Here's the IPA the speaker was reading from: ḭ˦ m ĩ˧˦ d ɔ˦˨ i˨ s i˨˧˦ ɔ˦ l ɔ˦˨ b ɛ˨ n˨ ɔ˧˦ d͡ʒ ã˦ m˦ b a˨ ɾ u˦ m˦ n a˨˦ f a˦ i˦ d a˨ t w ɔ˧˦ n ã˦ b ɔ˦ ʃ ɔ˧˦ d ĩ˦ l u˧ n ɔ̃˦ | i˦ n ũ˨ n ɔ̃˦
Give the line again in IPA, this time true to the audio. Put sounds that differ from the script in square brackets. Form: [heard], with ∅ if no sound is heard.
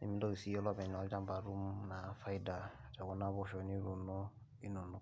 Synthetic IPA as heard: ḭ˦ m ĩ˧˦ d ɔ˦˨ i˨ s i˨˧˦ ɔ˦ l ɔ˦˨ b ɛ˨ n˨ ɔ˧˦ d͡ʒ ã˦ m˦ b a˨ ɾ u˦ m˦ n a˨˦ f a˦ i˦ d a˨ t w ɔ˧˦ n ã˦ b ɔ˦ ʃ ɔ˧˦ [n] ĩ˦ [ɾ] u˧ n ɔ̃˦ | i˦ n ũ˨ n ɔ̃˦